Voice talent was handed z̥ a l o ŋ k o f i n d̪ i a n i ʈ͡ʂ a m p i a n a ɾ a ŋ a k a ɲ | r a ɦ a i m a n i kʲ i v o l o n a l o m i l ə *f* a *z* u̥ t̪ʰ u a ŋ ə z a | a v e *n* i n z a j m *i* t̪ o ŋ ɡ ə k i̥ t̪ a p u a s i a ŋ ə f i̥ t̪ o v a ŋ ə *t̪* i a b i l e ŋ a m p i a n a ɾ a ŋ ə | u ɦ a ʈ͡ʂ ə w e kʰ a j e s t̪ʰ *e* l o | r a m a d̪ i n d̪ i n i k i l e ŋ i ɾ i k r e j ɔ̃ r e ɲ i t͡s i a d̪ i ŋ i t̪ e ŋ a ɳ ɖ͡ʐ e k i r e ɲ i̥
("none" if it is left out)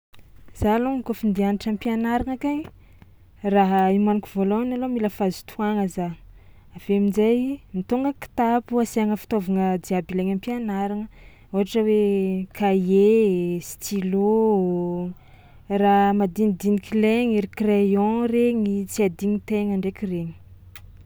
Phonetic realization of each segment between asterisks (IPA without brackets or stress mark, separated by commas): f, z, m, i, d̪, i